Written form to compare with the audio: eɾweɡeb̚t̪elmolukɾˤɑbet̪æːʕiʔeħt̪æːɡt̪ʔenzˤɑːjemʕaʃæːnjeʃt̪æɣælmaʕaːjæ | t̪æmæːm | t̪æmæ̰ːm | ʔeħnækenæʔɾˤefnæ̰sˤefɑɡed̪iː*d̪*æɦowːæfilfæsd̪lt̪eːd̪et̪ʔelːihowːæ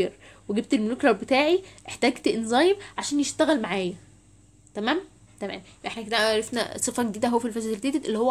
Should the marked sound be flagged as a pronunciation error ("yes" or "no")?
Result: no